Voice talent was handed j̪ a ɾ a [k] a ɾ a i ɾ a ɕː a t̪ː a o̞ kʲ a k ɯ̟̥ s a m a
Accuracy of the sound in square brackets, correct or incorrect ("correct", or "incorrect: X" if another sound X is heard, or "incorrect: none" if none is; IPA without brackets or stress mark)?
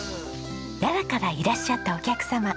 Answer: correct